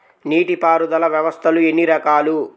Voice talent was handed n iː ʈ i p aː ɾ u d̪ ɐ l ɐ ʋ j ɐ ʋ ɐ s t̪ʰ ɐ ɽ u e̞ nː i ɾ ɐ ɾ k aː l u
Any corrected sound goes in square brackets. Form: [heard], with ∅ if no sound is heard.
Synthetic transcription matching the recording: n iː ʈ i p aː ɾ u d̪ ɐ l ɐ ʋ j ɐ ʋ ɐ s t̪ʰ ɐ [l] u e̞ nː i ɾ ɐ [∅] k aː l u

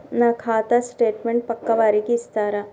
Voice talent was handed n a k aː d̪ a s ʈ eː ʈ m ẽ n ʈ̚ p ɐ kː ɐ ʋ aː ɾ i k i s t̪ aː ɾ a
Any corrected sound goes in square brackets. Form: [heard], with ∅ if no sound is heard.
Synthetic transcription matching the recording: n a [kʰ] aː [t̪] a s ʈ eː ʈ m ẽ [ɳ] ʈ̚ p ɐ kː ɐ ʋ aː ɾ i k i s t̪ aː ɾ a

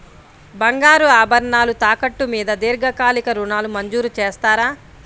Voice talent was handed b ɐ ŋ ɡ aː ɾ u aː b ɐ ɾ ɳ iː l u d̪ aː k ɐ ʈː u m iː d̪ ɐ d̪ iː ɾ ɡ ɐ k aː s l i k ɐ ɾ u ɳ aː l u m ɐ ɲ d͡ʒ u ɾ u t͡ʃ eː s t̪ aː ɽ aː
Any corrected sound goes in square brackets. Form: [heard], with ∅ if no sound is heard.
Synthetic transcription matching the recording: b ɐ ŋ ɡ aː ɾ u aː b ɐ ɾ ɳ [aː] l u [t̪] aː k ɐ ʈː u m iː d̪ ɐ d̪ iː ɾ ɡ ɐ k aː [∅] l i k ɐ ɾ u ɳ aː l u m ɐ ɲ d͡ʒ [uː] ɾ u t͡ʃ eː s t̪ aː [ɾ] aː

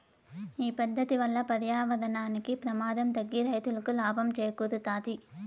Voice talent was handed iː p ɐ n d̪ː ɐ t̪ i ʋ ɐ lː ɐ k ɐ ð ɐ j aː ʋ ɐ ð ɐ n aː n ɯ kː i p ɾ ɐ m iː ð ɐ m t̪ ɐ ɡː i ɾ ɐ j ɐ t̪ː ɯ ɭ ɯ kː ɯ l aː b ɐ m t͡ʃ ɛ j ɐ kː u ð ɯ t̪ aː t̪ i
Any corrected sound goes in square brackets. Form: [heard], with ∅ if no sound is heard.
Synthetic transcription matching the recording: iː p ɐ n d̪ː ɐ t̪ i ʋ ɐ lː ɐ [p] ɐ ð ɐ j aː ʋ ɐ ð ɐ n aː n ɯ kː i p ɾ ɐ m [aː] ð ɐ m t̪ ɐ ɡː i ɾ ɐ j ɐ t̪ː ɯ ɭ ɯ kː ɯ l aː b ɐ m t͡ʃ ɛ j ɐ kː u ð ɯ t̪ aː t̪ i

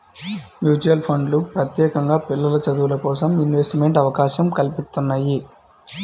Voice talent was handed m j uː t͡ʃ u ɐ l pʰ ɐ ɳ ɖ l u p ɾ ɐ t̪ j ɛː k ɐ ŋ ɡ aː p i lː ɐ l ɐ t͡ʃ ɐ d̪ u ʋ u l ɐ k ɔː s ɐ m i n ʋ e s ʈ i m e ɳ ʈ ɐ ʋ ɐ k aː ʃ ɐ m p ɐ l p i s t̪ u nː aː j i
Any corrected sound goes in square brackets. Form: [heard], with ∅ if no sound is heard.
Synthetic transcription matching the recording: m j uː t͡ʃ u ɐ l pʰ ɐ ɳ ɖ l u p ɾ ɐ t̪ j ɛː k ɐ ŋ ɡ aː p i lː ɐ l ɐ t͡ʃ ɐ d̪ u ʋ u l ɐ k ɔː s ɐ m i n ʋ e s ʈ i m e ɳ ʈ ɐ ʋ ɐ k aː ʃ ɐ m [k] ɐ l p i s t̪ u nː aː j i

